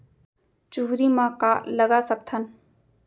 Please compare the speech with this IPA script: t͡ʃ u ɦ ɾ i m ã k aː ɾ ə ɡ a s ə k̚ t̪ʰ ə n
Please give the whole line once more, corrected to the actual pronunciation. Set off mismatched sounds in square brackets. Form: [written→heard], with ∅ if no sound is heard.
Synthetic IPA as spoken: t͡ʃ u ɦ ɾ i m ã k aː [ɾ→l] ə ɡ a s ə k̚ t̪ʰ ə n